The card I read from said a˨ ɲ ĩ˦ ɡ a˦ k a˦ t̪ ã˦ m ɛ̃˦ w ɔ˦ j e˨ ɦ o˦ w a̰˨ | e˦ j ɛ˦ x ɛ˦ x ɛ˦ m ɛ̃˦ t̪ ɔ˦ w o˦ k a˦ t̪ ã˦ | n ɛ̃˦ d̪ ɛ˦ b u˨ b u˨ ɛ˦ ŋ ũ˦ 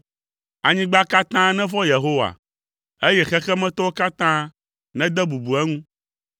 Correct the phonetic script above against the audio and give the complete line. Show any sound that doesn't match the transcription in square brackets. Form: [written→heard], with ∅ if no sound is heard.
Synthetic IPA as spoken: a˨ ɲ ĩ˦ [ɡ→ɡ͡b] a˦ k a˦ t̪ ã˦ [m→n] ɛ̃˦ [w→v] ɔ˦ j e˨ ɦ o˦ w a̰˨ | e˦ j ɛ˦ x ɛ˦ x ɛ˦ m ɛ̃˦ t̪ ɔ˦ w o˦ k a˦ t̪ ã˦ | n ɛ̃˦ d̪ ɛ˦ b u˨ b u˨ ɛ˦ ŋ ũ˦